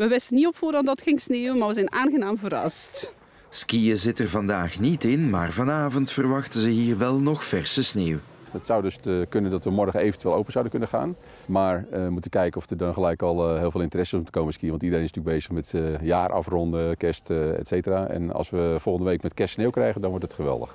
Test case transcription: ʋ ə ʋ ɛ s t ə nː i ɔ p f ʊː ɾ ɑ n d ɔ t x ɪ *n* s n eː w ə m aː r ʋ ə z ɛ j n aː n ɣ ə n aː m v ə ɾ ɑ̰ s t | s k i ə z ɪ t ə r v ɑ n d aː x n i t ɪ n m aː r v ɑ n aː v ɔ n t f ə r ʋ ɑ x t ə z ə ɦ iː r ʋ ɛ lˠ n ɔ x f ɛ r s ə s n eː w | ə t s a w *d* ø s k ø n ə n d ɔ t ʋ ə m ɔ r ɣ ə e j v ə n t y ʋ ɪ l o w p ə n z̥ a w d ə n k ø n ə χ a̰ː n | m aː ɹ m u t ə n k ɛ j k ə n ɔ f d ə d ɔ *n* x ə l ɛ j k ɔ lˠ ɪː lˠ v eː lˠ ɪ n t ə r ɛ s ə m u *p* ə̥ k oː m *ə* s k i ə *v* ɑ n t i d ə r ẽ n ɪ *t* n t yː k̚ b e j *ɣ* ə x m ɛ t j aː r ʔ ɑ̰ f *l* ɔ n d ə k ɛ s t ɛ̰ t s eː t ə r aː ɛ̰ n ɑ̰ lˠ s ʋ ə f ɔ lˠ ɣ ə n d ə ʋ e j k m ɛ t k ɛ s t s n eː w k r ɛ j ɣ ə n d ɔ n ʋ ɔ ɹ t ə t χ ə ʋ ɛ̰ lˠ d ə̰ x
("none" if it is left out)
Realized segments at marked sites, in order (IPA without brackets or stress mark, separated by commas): ŋ, d, n, t, ə, ʋ, s, z, r